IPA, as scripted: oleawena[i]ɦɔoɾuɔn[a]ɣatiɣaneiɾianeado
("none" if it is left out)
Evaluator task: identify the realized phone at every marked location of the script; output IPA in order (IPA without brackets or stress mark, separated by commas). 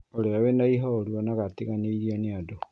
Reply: i, a